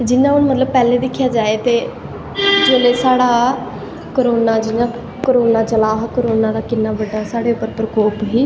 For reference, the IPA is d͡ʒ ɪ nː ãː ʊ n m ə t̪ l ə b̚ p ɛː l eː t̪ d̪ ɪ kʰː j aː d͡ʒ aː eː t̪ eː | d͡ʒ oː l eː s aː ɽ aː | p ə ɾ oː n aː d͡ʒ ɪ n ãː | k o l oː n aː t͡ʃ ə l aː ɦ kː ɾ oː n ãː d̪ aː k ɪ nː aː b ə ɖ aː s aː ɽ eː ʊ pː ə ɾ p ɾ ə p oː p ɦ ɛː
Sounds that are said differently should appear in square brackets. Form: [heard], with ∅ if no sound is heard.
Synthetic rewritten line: d͡ʒ ɪ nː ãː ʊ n m ə t̪ l ə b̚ p ɛː l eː [∅] d̪ ɪ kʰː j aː d͡ʒ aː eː t̪ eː | d͡ʒ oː l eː s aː ɽ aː | [k] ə ɾ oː n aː d͡ʒ ɪ n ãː | k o [ɾ] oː n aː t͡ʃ ə l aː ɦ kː ɾ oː n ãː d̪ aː k ɪ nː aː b ə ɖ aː s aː ɽ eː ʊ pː ə ɾ p ɾ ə [k] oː p ɦ [iː]